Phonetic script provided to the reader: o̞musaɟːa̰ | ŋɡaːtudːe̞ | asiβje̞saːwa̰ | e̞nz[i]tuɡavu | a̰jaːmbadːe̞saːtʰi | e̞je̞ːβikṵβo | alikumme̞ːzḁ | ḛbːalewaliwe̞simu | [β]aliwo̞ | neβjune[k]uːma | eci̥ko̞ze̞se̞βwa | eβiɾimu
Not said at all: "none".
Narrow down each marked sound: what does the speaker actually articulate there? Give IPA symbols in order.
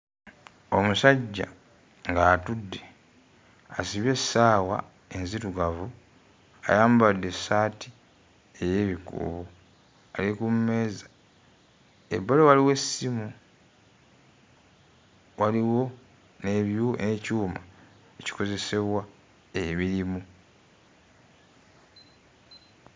i, w, c

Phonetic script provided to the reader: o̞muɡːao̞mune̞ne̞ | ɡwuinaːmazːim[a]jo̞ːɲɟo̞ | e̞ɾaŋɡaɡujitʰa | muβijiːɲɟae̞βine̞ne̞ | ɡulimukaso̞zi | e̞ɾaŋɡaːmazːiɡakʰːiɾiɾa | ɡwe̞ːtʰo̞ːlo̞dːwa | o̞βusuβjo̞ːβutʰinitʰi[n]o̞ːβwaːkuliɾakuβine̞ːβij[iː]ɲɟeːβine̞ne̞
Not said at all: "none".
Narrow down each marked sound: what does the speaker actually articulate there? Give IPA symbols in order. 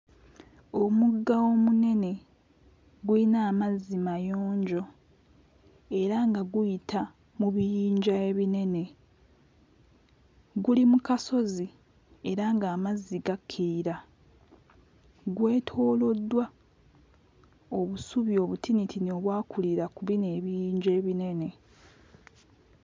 a, n, iː

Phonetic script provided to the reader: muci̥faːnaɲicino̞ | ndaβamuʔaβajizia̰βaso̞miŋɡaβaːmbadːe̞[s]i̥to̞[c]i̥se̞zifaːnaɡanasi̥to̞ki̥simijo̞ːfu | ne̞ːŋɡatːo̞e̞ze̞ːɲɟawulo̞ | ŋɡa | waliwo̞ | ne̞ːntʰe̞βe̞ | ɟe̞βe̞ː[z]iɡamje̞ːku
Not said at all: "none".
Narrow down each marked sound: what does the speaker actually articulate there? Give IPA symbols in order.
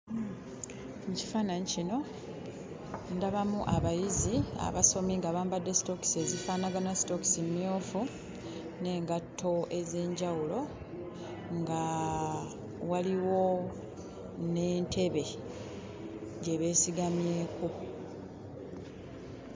s, k, s

